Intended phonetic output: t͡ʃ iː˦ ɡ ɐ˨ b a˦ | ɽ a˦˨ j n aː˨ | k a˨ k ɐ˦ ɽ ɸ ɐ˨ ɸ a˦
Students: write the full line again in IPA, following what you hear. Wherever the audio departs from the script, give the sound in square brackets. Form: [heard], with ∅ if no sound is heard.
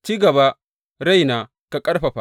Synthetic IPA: t͡ʃ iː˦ ɡ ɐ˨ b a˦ | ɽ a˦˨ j n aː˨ | k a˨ [kʼ] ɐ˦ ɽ ɸ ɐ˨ ɸ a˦